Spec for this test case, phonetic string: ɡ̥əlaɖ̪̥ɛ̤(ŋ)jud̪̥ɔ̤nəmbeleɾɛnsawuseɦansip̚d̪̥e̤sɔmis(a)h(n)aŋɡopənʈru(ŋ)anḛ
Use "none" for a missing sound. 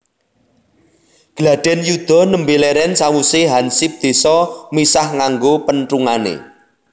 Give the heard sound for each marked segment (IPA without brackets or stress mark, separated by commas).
n, a, ŋ, ŋ